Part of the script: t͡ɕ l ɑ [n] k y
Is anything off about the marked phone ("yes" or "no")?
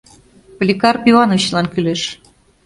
no